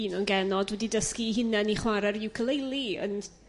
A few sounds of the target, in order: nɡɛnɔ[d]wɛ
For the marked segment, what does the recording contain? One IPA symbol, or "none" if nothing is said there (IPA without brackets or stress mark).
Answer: d